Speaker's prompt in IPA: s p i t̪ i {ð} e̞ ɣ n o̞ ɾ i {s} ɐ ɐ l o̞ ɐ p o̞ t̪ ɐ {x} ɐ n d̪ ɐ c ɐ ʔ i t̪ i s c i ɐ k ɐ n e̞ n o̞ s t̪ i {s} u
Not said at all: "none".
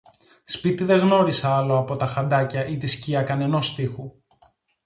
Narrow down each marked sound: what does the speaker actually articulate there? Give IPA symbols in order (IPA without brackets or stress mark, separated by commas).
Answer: ð, s, x, x